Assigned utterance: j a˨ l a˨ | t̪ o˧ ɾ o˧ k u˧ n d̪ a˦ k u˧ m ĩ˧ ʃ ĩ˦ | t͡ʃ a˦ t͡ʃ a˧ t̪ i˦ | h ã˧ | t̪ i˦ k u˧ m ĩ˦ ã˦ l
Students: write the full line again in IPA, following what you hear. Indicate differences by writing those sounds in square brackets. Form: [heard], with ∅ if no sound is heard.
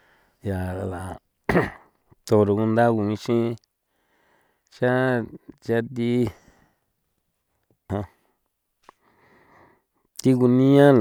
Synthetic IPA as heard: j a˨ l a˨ | t̪ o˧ ɾ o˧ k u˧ n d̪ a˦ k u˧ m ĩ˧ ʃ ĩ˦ | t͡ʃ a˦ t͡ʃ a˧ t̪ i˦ | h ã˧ | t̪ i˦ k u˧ [n] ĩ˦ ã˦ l

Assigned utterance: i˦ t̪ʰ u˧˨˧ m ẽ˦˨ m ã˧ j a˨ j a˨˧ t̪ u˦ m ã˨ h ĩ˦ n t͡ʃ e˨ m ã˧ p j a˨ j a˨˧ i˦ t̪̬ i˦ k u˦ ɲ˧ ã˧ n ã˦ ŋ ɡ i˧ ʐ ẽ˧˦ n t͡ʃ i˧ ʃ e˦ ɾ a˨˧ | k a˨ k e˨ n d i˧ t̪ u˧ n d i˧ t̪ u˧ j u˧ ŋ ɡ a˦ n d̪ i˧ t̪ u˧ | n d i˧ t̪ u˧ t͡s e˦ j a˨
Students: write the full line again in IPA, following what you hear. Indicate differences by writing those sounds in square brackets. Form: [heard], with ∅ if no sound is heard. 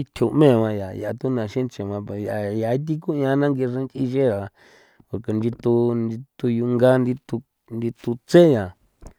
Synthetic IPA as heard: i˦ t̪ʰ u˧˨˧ m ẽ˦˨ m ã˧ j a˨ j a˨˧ t̪ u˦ [n] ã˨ [ʃ] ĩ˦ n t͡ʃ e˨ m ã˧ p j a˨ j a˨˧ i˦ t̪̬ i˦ k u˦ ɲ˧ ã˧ n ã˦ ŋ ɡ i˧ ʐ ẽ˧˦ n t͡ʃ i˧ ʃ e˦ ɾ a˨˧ | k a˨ k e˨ n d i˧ t̪ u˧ n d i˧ t̪ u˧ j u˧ ŋ ɡ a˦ n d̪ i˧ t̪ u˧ | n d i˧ t̪ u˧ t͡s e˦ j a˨

